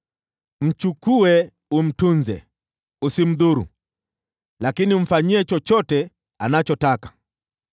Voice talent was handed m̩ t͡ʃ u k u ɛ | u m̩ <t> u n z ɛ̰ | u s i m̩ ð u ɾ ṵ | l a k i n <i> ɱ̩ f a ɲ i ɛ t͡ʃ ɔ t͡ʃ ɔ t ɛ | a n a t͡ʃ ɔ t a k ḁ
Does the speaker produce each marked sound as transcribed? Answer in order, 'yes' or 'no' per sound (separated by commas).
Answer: yes, yes